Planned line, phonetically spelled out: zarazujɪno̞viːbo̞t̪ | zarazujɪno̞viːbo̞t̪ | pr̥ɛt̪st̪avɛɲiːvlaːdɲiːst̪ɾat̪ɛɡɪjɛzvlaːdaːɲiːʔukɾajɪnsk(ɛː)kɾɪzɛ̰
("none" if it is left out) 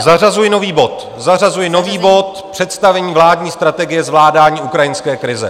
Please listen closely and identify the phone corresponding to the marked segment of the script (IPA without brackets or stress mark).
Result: ɛː